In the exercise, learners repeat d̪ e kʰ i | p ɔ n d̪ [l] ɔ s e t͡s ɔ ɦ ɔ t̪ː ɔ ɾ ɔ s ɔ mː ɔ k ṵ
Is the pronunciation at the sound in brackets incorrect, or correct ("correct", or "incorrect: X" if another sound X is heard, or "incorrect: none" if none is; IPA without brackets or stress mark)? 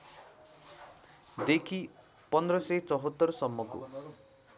incorrect: ɾ